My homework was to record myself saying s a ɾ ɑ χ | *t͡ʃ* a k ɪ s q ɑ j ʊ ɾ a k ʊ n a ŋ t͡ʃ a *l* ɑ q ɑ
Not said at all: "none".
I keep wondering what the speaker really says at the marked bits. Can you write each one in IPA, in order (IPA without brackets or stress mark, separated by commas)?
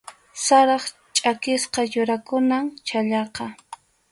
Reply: t͡ʃʼ, ʎ